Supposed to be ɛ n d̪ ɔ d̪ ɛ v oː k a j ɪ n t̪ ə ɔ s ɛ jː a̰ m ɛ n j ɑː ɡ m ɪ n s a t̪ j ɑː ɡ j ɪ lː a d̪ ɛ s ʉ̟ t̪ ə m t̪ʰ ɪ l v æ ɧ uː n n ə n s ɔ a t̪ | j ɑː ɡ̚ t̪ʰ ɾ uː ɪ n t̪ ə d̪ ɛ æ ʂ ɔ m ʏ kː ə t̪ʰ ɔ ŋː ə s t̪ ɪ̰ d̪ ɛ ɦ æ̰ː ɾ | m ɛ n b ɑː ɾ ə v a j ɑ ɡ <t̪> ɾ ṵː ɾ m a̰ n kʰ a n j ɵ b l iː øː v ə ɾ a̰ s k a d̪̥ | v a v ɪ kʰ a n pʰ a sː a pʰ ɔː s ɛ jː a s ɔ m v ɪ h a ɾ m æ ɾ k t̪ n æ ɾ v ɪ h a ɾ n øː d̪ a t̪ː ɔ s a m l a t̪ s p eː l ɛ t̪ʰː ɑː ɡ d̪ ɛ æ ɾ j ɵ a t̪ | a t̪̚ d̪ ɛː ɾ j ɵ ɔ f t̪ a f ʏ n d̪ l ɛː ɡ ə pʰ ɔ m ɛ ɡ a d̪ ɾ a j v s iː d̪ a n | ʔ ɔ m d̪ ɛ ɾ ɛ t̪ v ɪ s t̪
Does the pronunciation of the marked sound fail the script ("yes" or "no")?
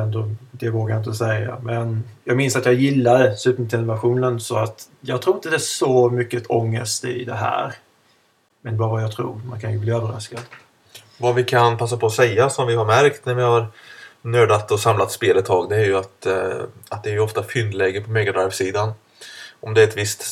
yes